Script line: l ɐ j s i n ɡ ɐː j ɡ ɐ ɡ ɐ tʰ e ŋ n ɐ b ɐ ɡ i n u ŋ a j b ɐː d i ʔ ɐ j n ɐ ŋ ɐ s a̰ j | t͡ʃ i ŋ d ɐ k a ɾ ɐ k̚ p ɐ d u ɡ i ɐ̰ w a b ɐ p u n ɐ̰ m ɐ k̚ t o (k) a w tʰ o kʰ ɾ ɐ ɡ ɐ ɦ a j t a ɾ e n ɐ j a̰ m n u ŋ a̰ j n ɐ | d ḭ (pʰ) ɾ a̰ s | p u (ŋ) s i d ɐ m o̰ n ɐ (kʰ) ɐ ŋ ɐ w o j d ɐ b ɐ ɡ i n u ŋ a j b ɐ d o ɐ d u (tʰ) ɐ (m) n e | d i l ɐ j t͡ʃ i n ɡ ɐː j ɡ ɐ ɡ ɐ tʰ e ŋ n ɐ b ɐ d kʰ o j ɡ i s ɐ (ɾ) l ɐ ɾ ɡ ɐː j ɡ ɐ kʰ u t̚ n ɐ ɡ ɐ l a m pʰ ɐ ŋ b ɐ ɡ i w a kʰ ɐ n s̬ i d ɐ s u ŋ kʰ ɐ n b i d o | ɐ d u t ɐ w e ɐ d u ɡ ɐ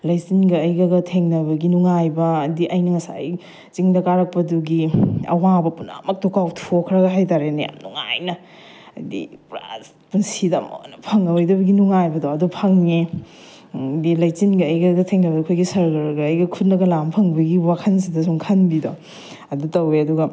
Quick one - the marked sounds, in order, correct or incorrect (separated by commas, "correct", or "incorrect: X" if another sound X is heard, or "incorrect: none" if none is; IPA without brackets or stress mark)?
correct, incorrect: p, incorrect: n, incorrect: pʰ, incorrect: pʰ, incorrect: ŋ, correct